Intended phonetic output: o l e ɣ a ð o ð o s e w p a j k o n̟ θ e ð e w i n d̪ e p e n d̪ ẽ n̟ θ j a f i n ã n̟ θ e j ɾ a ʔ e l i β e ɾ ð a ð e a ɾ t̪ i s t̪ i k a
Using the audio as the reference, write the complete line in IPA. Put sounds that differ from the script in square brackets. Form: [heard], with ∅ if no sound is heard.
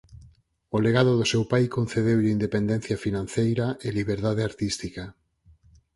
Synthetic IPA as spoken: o l e ɣ a ð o ð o s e w p a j k o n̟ θ e ð e w i n d̪ e p e n d̪ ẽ n̟ θ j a f i n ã n̟ θ e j ɾ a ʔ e l i β e ɾ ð a ð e a ɾ t̪ i s t̪ i k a